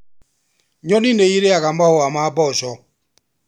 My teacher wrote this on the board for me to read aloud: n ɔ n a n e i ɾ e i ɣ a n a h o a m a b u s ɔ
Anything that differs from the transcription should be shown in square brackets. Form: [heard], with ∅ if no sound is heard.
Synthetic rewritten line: [ɲ] ɔ n [i] n e i ɾ e [a] ɣ a [m] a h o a m a b [ɔ] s ɔ